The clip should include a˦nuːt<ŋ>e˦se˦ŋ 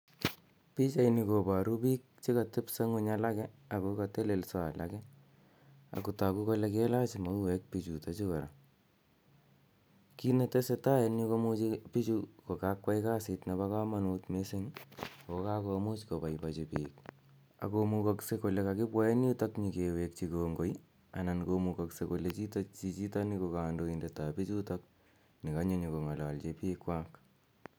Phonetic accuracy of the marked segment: incorrect: m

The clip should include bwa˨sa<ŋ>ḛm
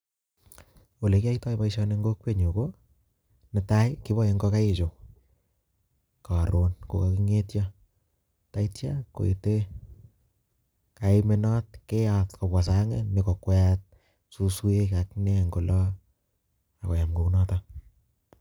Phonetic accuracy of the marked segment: correct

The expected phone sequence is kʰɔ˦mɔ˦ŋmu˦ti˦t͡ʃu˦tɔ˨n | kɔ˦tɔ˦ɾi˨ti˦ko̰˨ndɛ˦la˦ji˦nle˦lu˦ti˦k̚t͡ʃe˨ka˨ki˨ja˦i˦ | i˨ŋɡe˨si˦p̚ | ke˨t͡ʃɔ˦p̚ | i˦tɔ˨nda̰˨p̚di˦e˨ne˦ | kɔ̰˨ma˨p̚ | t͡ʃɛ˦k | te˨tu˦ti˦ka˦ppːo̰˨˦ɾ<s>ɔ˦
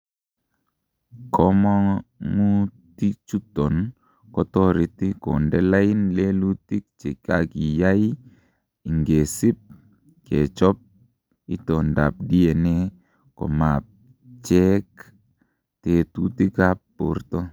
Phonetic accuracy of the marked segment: incorrect: t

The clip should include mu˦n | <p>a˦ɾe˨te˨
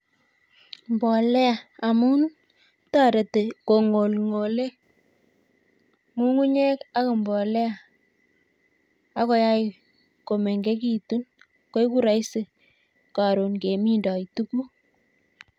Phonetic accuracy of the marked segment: incorrect: t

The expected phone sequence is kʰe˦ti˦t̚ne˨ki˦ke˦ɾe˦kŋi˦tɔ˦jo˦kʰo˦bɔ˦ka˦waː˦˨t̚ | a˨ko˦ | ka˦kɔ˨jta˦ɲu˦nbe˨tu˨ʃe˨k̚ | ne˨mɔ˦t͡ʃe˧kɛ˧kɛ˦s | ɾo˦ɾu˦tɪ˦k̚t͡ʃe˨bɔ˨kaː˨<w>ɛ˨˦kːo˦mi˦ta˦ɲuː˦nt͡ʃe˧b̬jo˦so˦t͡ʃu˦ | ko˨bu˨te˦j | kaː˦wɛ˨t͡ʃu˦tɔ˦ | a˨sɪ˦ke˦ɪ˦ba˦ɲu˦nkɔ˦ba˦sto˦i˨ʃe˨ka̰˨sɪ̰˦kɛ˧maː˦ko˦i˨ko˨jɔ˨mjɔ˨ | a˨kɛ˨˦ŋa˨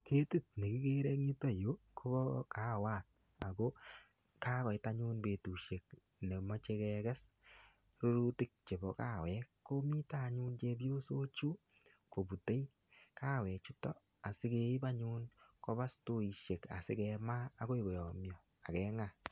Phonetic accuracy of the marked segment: correct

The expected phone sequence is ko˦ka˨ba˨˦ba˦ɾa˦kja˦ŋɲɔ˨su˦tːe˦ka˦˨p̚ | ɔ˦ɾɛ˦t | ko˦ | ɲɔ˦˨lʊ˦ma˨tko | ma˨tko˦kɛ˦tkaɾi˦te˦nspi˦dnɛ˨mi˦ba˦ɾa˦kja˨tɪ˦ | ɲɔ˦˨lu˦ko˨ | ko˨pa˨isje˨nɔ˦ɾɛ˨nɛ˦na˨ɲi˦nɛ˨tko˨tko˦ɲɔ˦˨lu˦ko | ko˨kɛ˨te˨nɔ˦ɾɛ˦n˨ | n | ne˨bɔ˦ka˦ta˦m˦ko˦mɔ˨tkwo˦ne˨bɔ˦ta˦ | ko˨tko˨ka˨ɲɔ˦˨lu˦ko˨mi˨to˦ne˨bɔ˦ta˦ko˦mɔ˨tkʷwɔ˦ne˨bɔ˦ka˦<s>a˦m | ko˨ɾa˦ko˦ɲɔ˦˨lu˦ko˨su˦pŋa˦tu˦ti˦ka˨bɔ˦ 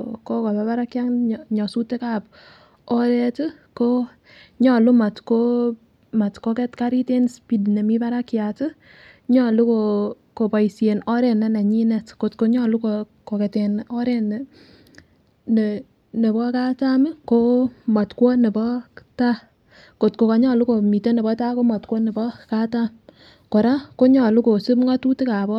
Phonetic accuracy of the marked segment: incorrect: t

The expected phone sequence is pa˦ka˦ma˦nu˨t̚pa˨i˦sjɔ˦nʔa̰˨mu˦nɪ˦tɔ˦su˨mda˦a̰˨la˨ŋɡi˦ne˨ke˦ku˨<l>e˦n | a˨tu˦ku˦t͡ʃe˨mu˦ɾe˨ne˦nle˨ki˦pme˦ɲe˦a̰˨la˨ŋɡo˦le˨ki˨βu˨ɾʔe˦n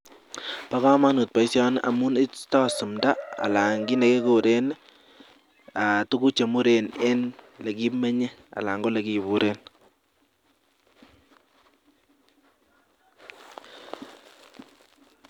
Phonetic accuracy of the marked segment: incorrect: ɾ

